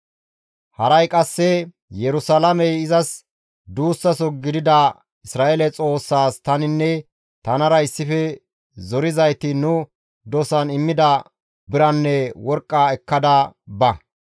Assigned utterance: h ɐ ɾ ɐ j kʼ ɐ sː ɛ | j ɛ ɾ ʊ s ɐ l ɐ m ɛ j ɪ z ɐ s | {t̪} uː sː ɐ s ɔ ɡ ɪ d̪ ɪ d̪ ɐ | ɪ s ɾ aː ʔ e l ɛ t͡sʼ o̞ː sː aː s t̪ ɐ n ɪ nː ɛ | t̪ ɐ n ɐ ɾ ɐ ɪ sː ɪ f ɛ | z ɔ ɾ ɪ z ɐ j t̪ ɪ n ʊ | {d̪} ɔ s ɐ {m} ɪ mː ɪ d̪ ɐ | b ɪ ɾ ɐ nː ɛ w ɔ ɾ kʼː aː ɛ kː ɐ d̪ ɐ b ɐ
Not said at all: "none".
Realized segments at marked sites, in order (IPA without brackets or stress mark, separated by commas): d̪, d̪, n